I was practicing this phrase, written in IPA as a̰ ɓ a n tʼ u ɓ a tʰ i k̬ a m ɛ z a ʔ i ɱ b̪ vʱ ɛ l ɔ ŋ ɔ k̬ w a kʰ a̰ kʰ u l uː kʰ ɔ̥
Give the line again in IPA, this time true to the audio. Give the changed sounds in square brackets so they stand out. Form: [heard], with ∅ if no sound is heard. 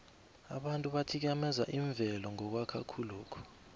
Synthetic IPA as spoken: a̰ ɓ a n tʼ u ɓ a tʰ i k̬ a m ɛ z a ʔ i ɱ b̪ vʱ ɛ l ɔ ŋ ɔ k̬ w a kʰ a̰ kʰ u l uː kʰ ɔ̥